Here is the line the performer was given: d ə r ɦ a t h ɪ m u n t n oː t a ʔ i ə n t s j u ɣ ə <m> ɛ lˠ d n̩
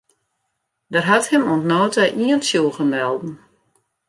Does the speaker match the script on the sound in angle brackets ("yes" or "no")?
yes